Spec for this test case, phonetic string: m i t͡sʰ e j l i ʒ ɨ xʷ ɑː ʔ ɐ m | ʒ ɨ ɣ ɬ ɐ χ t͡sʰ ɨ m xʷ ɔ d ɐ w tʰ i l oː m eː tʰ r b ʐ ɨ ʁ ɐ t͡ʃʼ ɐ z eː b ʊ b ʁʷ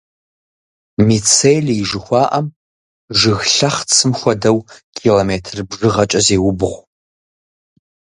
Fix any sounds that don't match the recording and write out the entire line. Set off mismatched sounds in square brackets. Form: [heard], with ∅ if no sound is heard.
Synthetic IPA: m i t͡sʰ e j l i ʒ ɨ xʷ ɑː ʔ ɐ m | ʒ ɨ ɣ ɬ ɐ χ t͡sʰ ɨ m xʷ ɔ d ɐ w [kʰ] i l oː m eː tʰ r b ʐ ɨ ʁ ɐ t͡ʃʼ ɐ z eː [w] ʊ b ʁʷ